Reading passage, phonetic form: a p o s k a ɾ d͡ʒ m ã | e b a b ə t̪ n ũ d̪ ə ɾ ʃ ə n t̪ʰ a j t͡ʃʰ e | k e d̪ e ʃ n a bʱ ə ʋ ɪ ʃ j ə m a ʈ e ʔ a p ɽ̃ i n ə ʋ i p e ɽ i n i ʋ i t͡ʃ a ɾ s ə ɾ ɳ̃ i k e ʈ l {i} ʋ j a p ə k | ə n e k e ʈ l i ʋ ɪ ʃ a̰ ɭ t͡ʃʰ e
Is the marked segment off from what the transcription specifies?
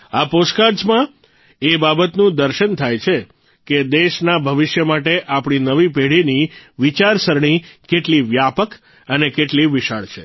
no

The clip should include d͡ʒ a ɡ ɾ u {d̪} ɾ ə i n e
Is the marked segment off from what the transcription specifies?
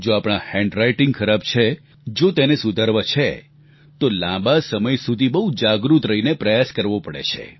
yes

